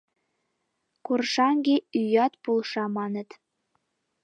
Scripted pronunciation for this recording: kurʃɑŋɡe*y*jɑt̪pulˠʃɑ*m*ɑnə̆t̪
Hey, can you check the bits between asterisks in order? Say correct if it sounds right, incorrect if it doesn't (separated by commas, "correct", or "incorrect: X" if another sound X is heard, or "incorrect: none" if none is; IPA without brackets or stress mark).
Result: correct, correct